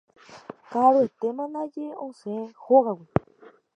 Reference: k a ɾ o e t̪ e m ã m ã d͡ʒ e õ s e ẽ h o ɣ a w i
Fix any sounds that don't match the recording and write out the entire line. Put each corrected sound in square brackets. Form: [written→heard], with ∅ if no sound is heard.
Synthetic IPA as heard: k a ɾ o e t̪ e m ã [m→n] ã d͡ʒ e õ s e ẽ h o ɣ a w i